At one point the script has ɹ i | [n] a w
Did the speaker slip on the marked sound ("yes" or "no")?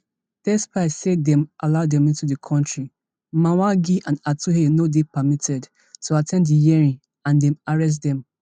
yes